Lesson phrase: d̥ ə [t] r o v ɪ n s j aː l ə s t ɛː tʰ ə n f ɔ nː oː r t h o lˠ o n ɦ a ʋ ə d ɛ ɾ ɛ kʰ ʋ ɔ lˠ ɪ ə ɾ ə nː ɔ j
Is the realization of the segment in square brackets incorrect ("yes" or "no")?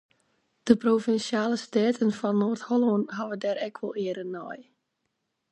yes